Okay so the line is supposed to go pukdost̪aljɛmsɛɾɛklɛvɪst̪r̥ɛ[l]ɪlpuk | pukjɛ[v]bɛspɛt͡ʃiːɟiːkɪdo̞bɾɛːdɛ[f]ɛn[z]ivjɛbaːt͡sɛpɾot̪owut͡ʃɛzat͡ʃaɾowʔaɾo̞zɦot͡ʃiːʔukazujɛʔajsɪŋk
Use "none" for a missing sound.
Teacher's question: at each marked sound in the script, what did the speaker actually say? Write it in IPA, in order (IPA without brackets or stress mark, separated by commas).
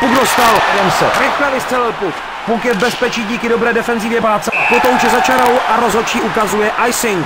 l, v, f, z